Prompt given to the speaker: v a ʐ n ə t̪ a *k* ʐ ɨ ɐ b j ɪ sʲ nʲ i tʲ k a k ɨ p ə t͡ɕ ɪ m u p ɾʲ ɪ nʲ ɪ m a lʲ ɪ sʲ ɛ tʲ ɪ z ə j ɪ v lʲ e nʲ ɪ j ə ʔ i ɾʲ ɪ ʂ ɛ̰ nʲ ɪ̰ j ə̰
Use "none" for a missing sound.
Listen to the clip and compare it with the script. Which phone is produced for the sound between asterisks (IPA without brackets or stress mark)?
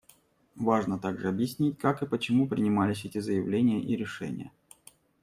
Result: ɡ